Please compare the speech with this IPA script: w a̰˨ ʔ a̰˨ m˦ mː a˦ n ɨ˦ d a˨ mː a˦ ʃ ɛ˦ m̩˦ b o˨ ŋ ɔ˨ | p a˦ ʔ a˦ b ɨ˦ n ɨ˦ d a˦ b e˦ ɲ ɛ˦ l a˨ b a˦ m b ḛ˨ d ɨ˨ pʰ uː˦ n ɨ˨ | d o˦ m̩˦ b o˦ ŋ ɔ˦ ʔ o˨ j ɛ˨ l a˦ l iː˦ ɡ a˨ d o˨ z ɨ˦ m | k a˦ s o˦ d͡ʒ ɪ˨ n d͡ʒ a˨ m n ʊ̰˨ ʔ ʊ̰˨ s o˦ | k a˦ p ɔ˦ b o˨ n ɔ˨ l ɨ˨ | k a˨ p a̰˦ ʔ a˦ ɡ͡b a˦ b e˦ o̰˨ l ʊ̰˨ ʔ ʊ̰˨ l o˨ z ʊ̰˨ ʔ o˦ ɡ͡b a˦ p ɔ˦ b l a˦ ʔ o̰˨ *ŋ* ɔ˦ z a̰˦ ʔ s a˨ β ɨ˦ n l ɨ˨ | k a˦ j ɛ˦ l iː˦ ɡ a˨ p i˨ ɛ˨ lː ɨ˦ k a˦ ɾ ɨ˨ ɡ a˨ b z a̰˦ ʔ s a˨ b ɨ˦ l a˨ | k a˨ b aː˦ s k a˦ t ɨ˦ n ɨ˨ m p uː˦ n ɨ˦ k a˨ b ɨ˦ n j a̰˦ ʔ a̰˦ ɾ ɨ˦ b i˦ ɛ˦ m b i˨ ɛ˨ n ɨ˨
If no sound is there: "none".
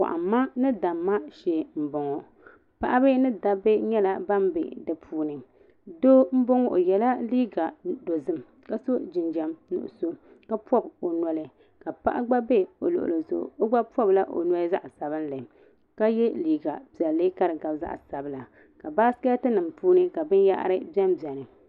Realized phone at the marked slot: n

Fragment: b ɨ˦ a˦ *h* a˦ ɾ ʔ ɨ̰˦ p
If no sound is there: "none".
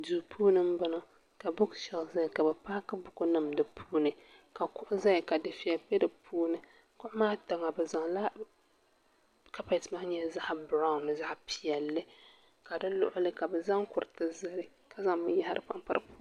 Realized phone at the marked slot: h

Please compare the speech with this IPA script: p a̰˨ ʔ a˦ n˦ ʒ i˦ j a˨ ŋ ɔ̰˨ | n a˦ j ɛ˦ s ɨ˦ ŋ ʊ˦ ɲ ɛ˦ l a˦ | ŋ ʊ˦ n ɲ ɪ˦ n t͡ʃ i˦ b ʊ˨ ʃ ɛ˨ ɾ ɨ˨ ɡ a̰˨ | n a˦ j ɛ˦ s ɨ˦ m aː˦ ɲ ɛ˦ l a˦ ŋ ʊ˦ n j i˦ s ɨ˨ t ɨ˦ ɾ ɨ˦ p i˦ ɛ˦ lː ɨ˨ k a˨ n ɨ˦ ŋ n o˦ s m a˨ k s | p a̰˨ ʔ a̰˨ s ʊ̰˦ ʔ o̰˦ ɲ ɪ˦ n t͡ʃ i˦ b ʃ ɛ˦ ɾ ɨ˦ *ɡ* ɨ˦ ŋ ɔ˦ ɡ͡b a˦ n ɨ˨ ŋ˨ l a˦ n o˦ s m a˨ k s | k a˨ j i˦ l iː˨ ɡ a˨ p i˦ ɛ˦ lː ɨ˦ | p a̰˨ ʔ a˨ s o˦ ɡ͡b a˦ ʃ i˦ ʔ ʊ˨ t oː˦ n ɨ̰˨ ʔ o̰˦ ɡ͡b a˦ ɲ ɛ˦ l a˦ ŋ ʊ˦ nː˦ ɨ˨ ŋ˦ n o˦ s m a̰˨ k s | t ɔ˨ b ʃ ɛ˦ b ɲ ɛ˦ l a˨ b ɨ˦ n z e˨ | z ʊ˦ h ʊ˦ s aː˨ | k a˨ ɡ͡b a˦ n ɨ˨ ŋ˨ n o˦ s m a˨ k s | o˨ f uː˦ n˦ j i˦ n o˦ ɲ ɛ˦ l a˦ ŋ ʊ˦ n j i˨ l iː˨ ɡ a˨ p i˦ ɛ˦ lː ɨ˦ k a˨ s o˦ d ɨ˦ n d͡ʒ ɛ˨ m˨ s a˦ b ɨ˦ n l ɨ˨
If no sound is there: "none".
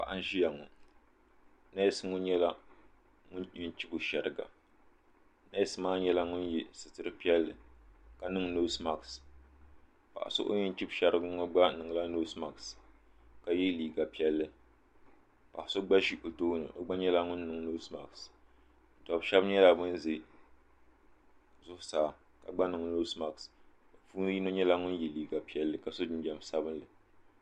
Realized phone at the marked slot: ɡ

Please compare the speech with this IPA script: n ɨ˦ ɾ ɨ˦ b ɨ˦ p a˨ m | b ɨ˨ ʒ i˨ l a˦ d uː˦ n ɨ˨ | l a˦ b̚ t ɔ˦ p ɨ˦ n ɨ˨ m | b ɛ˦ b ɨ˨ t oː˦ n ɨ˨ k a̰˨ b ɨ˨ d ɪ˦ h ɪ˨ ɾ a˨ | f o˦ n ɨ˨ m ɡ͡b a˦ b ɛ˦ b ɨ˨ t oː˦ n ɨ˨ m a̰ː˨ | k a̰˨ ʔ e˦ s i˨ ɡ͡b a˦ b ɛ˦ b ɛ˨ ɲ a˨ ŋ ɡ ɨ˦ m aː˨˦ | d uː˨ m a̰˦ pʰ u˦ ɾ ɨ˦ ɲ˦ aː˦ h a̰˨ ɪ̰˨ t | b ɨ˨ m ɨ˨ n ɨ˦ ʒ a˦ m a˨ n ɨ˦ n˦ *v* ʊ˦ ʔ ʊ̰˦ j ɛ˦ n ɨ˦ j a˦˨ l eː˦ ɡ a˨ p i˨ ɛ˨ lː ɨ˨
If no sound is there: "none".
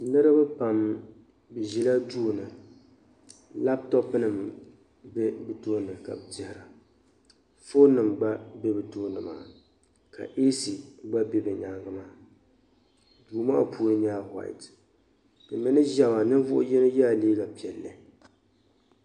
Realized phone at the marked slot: v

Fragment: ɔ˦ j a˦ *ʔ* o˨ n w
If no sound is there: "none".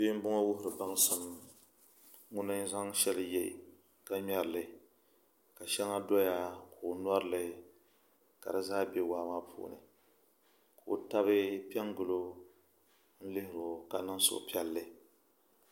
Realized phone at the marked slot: k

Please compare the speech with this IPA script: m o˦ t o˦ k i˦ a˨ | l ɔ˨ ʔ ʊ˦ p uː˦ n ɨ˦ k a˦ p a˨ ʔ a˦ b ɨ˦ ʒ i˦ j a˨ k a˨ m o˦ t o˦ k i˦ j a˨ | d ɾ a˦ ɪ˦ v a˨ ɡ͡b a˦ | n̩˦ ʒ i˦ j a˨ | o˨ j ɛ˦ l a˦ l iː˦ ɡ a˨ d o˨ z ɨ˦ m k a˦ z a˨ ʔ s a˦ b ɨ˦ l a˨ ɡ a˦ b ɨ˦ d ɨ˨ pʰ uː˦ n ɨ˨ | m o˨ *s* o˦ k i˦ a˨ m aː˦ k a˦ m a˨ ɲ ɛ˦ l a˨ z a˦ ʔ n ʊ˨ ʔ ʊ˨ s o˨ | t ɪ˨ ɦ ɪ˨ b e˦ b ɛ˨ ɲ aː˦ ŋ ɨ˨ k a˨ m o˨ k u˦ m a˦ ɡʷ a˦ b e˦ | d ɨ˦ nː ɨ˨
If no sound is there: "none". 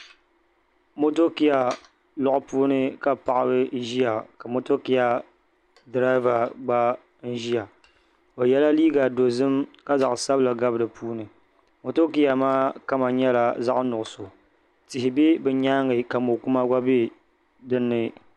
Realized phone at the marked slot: t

